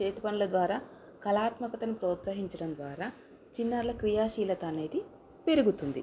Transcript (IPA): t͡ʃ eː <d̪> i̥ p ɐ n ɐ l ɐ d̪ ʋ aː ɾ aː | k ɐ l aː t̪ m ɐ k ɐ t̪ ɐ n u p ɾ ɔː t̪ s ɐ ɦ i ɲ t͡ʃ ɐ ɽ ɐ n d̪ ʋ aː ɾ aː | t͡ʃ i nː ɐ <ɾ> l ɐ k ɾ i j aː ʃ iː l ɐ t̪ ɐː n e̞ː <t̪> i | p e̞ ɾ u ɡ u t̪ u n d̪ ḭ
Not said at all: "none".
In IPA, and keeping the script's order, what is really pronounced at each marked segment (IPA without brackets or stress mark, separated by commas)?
t̪, ɾ, d̪